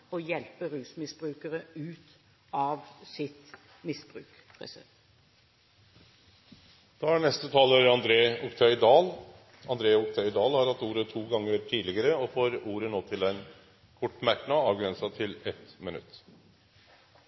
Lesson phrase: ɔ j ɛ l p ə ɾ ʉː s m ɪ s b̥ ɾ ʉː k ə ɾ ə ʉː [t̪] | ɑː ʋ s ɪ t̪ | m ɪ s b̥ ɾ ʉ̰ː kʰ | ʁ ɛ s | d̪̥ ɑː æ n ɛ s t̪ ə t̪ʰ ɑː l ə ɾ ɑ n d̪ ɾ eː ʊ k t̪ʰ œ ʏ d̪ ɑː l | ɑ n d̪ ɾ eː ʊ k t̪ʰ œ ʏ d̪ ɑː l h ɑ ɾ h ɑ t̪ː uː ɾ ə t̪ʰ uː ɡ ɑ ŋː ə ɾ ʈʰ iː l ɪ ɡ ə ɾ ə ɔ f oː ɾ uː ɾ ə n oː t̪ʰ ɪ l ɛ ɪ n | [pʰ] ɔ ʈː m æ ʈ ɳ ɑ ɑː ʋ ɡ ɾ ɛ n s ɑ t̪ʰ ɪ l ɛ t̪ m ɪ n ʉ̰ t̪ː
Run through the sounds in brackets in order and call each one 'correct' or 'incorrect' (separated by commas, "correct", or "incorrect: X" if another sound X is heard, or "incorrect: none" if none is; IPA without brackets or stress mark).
correct, incorrect: kʰ